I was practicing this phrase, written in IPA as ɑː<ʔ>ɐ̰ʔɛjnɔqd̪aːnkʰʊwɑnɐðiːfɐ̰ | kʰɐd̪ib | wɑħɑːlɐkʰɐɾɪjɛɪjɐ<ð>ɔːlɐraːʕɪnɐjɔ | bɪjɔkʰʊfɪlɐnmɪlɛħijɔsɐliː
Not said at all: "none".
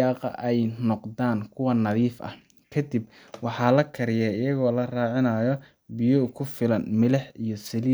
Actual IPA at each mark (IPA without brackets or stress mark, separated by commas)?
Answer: q, ɣ